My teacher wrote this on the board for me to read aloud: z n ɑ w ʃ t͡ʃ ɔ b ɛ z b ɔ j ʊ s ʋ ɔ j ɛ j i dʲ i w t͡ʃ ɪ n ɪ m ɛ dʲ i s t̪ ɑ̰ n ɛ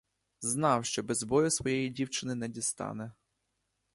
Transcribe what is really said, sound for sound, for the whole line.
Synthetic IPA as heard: z n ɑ w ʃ t͡ʃ ɔ b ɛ z b ɔ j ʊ s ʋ ɔ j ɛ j i dʲ i w t͡ʃ ɪ n ɪ n ɛ dʲ i s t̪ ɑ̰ n ɛ

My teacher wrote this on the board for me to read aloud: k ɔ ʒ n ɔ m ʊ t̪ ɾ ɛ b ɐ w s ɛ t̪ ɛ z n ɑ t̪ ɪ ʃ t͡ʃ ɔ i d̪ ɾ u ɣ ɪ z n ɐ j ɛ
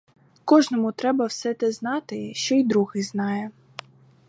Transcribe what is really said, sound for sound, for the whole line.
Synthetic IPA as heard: k ɔ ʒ n ɔ m ʊ t̪ ɾ ɛ b ɐ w s ɛ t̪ ɛ z n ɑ t̪ ɪ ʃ t͡ʃ ɔ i d̪ ɾ u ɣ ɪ z n ɑ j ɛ

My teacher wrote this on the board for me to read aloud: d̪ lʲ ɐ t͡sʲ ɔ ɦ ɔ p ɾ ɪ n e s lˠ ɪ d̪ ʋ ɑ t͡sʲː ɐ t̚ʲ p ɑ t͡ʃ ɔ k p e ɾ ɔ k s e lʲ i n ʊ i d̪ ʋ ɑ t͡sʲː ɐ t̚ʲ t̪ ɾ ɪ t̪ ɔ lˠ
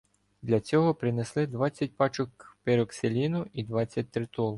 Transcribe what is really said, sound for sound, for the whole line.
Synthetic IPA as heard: d̪ lʲ ɐ t͡sʲ ɔ ɦ ɔ p ɾ ɪ n e s lˠ ɪ d̪ ʋ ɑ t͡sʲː ɐ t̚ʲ p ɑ t͡ʃ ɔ k p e ɾ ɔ k s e lʲ i n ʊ i d̪ ʋ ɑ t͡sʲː ɐ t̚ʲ t̪ ɾ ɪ t̪ ɔ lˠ

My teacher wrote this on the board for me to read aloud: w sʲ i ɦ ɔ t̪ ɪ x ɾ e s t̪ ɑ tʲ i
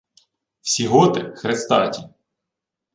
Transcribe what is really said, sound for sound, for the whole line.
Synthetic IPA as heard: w sʲ i ɦ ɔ t̪ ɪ x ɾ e s t̪ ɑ tʲ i

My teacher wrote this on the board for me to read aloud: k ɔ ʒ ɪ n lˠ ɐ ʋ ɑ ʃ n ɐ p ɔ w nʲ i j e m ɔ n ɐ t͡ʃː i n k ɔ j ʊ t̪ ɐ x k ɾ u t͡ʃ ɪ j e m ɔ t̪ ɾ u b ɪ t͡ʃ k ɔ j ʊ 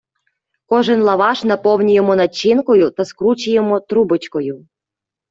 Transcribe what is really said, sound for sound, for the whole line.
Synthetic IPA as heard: k ɔ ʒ ɪ n lˠ ɐ ʋ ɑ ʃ n ɐ p ɔ w nʲ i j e m ɔ n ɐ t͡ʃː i n k ɔ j ʊ t̪ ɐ s k ɾ u t͡ʃ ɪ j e m ɔ t̪ ɾ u b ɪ t͡ʃ k ɔ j ʊ

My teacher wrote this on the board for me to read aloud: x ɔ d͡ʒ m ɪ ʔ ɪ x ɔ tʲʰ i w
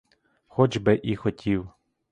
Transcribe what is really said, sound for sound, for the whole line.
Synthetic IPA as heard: x ɔ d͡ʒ b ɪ ʔ i x ɔ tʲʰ i w

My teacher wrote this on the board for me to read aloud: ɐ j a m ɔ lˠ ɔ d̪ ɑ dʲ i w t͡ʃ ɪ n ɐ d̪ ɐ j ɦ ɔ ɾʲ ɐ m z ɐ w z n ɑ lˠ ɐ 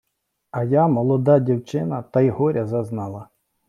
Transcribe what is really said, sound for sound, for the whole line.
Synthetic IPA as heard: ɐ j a m ɔ lˠ ɔ d̪ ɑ dʲ i w t͡ʃ ɪ n ɐ t̪ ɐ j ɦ ɔ ɾʲ ɐ z ɐ z n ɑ lˠ ɐ

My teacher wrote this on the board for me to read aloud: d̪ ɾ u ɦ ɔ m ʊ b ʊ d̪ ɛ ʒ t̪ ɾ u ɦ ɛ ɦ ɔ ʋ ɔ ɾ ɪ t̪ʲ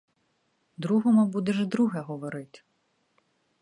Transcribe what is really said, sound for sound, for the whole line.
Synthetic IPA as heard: d̪ ɾ u ɦ ɔ m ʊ b u d̪ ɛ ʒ d̪ ɾ u ɦ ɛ ɦ ɔ ʋ ɔ ɾ ɪ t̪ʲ

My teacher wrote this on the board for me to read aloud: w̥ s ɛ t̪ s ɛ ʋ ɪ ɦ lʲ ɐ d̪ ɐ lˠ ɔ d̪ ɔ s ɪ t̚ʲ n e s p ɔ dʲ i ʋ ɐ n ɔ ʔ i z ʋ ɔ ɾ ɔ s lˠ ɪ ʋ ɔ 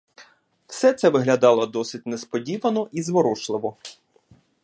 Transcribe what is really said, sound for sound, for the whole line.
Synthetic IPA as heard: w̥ s ɛ t̪ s ɛ ʋ ɪ ɦ lʲ ɐ d̪ ɑ lˠ ɔ d̪ ɔ s ɪ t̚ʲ n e s p ɔ dʲ i ʋ ɐ n ɔ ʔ i z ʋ ɔ ɾ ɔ ʃ lˠ ɪ ʋ ɔ

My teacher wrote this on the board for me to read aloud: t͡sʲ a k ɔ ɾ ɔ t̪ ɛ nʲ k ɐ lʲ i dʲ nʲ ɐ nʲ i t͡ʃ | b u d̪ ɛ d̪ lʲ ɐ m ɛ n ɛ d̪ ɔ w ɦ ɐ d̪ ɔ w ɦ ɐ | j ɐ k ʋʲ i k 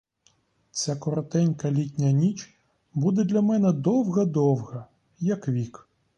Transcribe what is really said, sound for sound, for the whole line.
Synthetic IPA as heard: t͡sʲ a k ɔ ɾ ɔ t̪ ɛ nʲ k ɐ lʲ i tʲ nʲ ɐ nʲ i t͡ʃ | b u d̪ ɛ d̪ lʲ ɐ m ɛ n ɛ d̪ ɔ w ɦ ɐ d̪ ɔ w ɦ ɐ | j ɐ k ʋʲ i k

